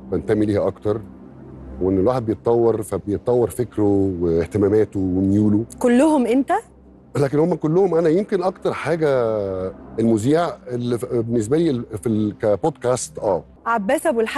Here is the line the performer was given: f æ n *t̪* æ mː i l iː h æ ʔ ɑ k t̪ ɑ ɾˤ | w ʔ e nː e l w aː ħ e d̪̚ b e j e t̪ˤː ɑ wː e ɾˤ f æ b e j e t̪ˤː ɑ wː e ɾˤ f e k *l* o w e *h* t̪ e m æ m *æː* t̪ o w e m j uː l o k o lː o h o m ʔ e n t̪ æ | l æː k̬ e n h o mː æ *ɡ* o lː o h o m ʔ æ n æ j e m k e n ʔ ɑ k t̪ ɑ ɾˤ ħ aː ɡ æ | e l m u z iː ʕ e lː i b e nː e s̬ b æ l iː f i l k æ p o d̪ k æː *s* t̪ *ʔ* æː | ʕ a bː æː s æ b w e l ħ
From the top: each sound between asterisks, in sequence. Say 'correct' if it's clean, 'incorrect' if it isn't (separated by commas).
correct, incorrect, correct, correct, incorrect, correct, correct